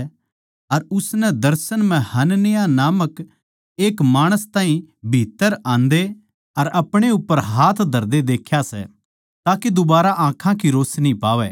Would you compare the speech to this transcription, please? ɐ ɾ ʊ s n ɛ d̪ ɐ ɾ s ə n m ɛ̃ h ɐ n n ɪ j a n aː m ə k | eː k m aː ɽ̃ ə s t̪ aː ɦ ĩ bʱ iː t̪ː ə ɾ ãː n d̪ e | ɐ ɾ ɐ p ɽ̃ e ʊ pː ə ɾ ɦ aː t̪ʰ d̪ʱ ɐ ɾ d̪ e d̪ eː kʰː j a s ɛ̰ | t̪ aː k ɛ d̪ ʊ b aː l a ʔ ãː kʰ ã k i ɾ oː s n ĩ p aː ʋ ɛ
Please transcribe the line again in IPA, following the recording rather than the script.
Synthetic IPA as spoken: ɐ ɾ ʊ s n ɛ d̪ ɐ ɾ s ə n m ɛ̃ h ɐ n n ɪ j a n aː m ə k | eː k m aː ɽ̃ ə s t̪ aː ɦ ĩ bʱ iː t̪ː ə ɾ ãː n d̪ e | ɐ ɾ ɐ p ɽ̃ e ʊ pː ə ɾ ɦ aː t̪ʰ d̪ʱ ɐ ɾ d̪ e d̪ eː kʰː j a s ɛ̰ | t̪ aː k e d̪ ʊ b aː ɾ a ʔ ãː kʰ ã k i ɾ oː s n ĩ p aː ʋ ɛ